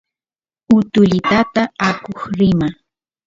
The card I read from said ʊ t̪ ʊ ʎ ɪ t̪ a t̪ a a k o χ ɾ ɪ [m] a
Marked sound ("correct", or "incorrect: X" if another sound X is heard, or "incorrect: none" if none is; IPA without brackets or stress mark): correct